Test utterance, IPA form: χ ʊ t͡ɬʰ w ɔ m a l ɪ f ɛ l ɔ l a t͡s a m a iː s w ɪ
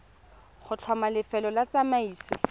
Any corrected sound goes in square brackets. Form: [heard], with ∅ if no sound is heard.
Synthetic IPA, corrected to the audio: χ ʊ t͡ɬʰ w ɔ m a l ɪ f ɛ l ɔ l a t͡s a m a iː s w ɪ